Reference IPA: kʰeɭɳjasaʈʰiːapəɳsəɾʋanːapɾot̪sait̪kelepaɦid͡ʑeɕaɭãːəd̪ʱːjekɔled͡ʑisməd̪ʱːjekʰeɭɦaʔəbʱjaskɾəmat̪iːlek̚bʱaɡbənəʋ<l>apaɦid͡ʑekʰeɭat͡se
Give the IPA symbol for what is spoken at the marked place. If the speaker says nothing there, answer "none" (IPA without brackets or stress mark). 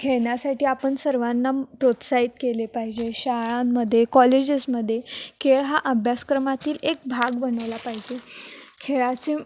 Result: l